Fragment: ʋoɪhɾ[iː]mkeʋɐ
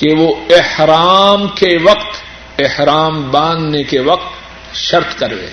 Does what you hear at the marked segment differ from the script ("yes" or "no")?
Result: yes